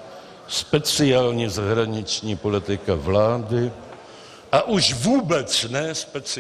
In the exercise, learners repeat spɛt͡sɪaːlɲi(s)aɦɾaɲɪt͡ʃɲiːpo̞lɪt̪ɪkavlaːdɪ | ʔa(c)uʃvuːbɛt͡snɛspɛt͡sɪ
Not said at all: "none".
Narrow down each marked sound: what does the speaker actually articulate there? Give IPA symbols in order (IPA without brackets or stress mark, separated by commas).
z, ʔ